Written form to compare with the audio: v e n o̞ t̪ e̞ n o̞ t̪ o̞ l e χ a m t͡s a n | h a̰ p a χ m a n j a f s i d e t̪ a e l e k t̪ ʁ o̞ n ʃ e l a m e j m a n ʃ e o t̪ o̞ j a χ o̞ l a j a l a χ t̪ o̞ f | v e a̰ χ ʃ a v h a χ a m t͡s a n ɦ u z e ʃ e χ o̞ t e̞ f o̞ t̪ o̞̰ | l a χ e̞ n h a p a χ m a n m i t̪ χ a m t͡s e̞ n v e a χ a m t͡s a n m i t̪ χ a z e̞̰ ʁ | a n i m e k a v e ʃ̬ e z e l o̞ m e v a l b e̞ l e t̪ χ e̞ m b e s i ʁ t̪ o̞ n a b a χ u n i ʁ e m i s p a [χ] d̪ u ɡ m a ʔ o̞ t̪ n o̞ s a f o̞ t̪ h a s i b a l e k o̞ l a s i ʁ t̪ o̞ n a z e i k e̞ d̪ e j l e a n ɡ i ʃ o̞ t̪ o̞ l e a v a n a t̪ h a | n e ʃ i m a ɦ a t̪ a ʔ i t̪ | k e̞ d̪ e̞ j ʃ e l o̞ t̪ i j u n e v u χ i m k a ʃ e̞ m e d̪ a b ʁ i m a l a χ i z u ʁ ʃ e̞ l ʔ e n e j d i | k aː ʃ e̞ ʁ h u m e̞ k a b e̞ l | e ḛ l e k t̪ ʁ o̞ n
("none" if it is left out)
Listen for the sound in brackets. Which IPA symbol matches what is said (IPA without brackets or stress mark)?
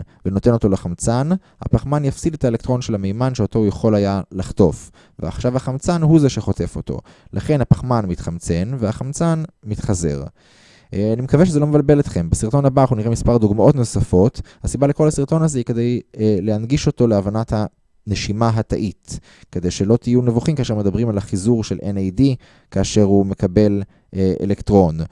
ʁ